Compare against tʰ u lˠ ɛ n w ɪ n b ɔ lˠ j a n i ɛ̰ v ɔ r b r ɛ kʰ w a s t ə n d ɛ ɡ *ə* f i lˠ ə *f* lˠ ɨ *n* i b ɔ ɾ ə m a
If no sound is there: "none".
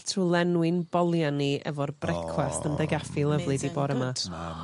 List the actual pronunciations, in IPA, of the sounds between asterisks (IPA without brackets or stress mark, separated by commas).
a, v, d